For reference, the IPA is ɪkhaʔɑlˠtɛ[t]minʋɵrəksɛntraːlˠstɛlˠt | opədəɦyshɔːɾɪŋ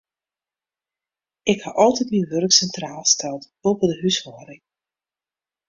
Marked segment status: correct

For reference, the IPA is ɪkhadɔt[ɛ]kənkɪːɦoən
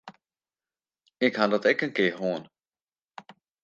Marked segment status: correct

